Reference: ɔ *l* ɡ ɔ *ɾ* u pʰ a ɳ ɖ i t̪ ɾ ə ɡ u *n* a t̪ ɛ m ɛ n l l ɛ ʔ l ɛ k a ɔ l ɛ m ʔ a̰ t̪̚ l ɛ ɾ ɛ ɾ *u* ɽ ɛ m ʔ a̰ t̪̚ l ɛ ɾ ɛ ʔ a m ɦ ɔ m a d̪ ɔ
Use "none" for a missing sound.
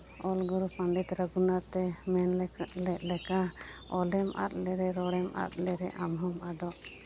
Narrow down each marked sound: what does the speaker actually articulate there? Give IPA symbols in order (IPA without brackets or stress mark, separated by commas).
l, ɾ, n, ɔ